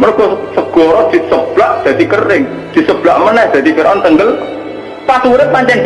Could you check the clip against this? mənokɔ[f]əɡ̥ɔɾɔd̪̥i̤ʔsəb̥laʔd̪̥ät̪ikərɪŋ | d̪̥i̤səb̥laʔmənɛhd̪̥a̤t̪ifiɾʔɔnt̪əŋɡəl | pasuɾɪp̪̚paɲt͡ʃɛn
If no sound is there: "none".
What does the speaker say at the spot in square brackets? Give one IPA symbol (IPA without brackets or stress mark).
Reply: s